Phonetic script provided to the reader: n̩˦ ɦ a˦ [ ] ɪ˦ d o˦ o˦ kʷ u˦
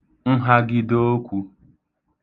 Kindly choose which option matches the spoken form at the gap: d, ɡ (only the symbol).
ɡ